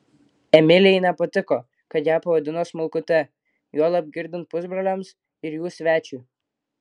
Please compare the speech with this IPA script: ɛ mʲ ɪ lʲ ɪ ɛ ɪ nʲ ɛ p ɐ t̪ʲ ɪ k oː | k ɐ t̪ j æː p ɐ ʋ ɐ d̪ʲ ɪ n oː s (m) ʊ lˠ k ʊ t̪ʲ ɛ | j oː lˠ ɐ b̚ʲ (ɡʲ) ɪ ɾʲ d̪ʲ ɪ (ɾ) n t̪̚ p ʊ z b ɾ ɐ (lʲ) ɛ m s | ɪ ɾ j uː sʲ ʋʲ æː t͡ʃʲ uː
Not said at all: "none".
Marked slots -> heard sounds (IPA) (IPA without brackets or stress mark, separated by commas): m, ɡʲ, none, lʲ